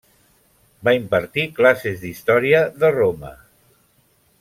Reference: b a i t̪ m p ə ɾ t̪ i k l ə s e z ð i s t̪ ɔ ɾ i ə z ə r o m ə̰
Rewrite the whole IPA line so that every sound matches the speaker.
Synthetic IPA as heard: b a i m p ə ɾ t̪ i k l a s e z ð i s t̪ ɔ ɾ i ə ð ə r o m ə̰